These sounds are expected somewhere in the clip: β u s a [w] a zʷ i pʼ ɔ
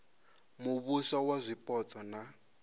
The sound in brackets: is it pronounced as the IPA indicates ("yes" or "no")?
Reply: yes